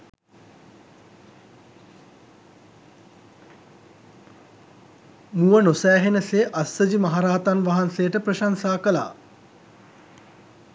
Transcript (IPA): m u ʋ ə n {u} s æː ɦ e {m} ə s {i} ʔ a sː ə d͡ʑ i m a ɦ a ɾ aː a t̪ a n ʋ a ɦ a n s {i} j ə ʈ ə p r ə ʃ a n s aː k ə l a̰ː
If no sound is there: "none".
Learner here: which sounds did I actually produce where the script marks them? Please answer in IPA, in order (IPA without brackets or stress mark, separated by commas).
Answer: o, n, e, e